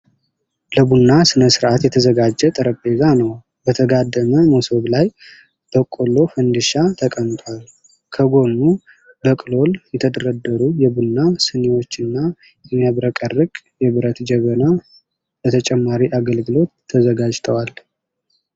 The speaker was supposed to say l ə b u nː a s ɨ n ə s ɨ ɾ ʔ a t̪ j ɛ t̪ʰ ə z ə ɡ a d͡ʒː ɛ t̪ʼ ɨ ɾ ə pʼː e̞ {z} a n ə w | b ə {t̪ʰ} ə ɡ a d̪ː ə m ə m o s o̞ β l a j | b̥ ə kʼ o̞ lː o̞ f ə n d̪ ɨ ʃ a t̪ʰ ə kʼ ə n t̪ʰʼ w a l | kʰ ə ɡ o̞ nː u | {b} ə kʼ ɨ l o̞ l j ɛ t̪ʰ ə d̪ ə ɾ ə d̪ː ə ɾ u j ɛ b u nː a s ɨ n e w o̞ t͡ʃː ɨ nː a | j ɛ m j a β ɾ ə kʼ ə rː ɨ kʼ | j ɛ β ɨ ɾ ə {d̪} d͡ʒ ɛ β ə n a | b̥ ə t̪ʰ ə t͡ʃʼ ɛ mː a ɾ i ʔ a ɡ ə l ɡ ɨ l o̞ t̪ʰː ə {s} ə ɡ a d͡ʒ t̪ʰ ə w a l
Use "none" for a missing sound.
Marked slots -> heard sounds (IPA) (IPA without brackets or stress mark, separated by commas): z, t̪ʰ, b, t̪, z